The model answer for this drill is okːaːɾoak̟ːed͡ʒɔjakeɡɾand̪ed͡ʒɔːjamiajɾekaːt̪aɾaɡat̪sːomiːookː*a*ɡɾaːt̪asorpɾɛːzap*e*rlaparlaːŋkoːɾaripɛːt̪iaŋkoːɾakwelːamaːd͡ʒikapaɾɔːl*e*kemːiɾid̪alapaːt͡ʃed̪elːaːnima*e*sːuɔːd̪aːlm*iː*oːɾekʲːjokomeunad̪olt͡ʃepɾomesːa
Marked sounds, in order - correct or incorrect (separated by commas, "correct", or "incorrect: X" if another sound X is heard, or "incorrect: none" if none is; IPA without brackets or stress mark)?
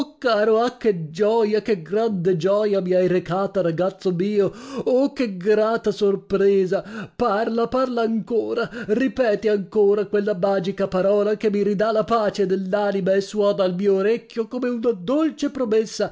incorrect: e, incorrect: a, incorrect: a, correct, correct